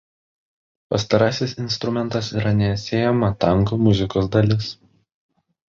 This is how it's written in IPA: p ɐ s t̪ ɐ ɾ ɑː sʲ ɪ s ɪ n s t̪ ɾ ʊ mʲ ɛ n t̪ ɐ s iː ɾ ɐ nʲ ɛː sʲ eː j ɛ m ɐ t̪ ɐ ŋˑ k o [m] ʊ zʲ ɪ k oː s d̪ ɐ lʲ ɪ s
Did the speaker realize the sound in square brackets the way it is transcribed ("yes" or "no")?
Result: yes